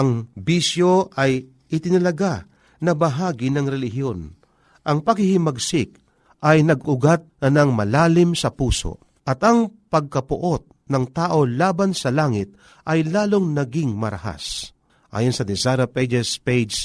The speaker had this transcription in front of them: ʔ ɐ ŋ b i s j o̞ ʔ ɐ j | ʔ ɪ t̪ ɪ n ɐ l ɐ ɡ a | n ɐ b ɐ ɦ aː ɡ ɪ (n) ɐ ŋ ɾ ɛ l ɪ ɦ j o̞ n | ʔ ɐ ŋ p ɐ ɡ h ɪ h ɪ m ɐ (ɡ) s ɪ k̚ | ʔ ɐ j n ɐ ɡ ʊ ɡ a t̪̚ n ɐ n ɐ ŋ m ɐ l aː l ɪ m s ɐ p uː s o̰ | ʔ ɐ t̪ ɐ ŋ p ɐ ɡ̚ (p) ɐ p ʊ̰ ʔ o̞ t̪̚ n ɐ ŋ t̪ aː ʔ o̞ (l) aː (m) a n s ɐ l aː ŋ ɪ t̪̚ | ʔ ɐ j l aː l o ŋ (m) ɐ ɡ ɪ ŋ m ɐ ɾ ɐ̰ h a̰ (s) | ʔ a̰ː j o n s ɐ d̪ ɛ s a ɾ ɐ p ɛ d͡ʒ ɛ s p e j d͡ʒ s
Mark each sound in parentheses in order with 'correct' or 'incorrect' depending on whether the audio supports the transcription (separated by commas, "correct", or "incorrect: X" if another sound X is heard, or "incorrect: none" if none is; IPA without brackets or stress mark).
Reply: correct, correct, incorrect: k, correct, incorrect: b, incorrect: n, correct